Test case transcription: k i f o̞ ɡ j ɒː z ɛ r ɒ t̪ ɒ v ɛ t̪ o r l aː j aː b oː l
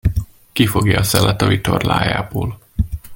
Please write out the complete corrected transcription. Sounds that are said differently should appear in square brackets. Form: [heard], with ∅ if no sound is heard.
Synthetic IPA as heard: k i f o̞ ɡ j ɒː [s] ɛ [l] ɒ t̪ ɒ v [i] t̪ o r l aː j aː b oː l